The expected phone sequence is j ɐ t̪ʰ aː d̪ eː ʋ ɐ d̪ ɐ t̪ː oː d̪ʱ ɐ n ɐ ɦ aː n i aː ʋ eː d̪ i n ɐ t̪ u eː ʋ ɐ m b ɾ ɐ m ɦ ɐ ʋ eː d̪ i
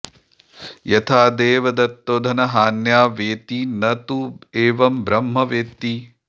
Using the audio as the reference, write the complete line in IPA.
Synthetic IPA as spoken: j ɐ t̪ʰ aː d̪ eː ʋ ɐ d̪ ɐ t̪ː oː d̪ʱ ɐ n ɐ ɦ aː n j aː ʋ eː t̪ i n ɐ t̪ u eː ʋ ɐ m b ɾ ɐ m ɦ ɐ ʋ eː t̪ i